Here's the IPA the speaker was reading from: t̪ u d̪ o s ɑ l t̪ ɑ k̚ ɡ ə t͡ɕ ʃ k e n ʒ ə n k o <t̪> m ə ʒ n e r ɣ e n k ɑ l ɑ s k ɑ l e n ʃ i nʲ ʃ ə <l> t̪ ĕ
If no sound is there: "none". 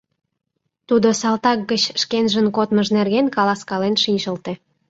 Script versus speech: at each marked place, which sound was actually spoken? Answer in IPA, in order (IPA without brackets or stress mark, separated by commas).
t̪, l